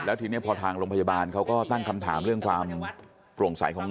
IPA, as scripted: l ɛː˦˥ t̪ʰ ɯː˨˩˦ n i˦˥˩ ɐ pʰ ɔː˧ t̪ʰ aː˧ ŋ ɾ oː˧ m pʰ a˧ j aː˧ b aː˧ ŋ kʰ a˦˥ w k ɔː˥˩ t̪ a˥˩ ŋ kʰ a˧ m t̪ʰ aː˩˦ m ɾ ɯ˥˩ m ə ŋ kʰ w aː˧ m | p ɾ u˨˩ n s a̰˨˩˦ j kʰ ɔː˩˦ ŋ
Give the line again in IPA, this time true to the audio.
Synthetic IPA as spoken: l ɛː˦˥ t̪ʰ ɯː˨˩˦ n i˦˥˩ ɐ pʰ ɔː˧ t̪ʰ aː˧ ŋ ɾ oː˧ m pʰ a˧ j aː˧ b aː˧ n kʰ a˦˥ w k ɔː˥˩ t̪ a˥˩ ŋ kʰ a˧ m t̪ʰ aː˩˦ m ɾ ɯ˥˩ ə ŋ kʰ w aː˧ m | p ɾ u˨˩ ŋ s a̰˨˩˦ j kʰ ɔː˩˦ ŋ